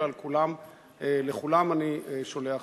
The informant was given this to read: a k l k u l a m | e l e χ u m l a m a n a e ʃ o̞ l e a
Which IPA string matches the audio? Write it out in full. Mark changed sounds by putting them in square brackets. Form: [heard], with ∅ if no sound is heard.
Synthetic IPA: a [∅] l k u l a m | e l e χ u [∅] l a m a n [i] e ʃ o̞ l e a